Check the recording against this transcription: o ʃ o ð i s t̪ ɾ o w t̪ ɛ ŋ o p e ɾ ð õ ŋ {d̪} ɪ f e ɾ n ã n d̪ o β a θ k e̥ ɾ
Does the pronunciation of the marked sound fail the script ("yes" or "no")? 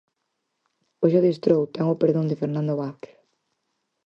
no